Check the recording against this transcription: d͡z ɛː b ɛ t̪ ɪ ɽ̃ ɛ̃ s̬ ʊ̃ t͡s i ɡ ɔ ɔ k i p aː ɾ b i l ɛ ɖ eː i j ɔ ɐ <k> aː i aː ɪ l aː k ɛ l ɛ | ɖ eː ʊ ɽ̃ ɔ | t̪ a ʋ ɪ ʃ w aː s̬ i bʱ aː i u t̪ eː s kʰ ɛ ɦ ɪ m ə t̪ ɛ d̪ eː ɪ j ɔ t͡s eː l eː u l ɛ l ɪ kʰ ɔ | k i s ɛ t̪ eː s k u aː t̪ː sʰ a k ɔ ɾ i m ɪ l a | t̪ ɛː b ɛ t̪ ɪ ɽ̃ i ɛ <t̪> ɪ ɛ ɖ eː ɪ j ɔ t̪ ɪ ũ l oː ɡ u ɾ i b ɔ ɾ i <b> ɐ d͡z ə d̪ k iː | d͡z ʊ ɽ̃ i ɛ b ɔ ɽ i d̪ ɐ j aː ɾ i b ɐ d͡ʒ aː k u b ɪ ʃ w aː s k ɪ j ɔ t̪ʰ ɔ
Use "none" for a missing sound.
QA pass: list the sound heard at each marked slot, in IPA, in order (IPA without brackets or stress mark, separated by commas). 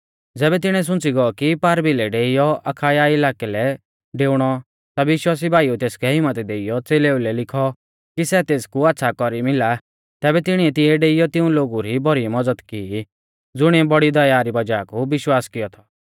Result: kʰ, t̪, m